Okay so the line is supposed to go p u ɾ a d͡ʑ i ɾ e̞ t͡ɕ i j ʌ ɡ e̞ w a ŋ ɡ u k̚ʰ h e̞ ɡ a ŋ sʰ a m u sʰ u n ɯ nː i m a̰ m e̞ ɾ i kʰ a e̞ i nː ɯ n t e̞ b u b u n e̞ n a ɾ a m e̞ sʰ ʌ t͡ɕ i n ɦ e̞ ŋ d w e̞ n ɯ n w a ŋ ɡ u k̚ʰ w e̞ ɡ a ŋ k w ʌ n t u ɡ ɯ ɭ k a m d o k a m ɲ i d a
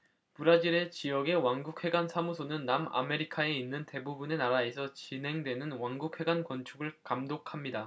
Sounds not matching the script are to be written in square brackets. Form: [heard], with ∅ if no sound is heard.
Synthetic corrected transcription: p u ɾ a d͡ʑ i ɾ e̞ t͡ɕ i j ʌ ɡ e̞ w a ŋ ɡ u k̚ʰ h e̞ ɡ a [n] sʰ a m u sʰ [o] n ɯ nː [a] m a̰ m e̞ ɾ i kʰ a e̞ i nː ɯ n t e̞ b u b u n e̞ n a ɾ a [∅] e̞ sʰ ʌ t͡ɕ i n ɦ e̞ ŋ d w e̞ n ɯ n w a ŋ ɡ u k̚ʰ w e̞ ɡ a [n] k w ʌ n [t͡ɕʰ] u ɡ ɯ ɭ k a m d o [kʰ] a m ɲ i d a